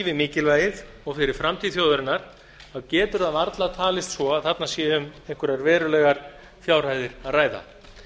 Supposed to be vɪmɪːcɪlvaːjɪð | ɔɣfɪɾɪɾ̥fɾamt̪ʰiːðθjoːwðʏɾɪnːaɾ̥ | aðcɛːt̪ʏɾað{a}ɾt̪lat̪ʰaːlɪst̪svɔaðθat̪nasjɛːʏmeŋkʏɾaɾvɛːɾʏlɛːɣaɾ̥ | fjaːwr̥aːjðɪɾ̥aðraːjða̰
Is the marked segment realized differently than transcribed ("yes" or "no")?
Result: no